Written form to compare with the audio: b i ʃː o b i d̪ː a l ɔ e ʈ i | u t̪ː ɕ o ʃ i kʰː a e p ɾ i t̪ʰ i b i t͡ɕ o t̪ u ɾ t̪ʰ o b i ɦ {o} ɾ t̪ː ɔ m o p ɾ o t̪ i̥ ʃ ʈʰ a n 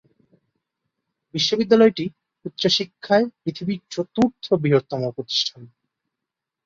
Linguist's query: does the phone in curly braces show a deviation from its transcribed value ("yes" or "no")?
no